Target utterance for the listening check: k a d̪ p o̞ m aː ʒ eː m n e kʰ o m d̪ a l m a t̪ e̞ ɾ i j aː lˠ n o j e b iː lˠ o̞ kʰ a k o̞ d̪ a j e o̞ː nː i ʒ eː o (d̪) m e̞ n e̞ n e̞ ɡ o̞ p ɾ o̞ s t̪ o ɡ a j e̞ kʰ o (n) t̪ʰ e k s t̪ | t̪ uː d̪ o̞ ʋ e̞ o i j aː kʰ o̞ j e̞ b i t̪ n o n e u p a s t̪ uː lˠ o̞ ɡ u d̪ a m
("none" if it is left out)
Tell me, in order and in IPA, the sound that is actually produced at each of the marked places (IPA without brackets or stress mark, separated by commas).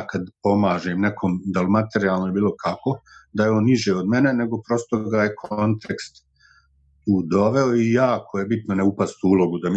d̪, n